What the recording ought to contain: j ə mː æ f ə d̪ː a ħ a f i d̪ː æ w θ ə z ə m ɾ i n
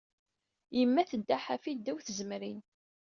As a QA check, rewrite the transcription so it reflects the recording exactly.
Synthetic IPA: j ə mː æ θ ə d̪ː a ħ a f i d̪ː æ w θ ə z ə m ɾ i n